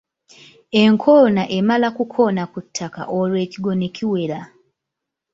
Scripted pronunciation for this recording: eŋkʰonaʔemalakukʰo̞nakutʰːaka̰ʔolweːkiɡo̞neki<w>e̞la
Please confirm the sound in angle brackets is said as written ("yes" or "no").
yes